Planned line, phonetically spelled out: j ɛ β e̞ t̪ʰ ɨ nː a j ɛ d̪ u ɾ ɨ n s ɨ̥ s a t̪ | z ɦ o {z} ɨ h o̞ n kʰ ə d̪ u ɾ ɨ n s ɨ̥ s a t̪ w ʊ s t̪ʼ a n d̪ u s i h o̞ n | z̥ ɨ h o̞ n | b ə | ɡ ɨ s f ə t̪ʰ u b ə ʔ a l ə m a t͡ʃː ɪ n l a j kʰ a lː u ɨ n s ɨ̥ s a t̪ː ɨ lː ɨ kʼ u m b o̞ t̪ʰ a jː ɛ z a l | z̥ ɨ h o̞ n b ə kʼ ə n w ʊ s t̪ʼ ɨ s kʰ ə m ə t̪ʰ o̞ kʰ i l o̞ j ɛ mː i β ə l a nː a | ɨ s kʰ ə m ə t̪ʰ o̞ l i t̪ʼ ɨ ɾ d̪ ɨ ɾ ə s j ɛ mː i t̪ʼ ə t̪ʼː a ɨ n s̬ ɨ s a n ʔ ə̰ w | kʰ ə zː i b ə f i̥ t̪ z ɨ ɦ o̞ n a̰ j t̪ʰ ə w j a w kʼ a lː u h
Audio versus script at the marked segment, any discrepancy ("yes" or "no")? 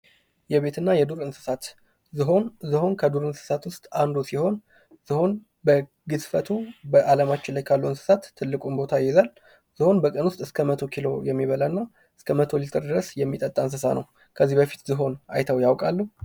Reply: no